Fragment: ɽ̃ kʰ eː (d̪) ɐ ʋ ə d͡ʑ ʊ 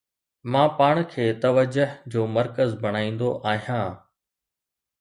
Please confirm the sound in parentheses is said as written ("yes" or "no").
no